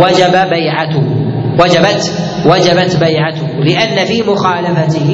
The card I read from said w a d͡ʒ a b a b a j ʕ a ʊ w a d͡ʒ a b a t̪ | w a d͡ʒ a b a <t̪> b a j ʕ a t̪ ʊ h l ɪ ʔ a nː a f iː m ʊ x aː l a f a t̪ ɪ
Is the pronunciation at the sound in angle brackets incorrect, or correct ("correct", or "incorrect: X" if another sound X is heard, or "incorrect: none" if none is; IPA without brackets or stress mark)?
correct